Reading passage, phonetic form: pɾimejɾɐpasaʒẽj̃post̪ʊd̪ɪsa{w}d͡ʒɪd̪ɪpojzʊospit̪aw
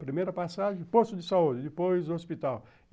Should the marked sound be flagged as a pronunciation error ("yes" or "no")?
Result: yes